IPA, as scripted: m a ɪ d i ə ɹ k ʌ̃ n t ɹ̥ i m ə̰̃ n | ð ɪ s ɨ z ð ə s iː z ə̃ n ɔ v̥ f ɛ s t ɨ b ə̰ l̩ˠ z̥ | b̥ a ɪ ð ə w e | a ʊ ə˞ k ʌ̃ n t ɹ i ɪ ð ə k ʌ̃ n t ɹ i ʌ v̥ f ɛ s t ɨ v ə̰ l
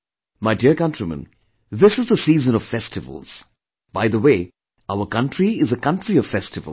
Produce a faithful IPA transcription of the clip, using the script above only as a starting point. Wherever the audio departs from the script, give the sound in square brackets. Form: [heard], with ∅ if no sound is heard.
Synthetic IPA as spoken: m a ɪ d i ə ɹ k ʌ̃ n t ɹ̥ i m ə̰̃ n | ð ɪ s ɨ z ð ə s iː z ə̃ n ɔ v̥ f ɛ s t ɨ [v] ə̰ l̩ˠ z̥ | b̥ a ɪ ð ə w e | a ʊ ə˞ k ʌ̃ n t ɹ i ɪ [z] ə k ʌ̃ n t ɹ i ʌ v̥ f ɛ s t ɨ v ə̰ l